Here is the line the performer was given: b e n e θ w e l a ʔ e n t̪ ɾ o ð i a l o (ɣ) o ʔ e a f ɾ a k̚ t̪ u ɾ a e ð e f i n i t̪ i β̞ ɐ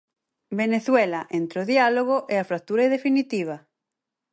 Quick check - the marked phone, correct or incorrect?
correct